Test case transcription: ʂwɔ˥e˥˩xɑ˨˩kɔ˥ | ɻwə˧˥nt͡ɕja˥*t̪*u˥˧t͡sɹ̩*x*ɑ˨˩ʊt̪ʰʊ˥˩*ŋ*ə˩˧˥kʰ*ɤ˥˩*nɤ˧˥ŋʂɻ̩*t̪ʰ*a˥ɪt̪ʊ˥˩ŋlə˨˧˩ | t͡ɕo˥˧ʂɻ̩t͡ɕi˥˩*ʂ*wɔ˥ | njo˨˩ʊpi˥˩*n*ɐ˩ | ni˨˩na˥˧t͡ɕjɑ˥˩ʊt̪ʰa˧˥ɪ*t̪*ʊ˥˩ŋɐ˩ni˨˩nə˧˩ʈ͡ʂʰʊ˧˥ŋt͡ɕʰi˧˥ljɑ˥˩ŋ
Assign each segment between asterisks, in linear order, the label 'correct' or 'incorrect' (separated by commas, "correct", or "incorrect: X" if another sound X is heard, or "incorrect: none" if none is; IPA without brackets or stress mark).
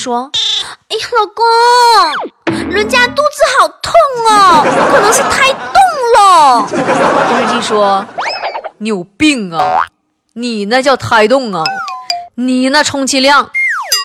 correct, correct, correct, incorrect: ɤ˨˩, correct, correct, incorrect: ŋ, correct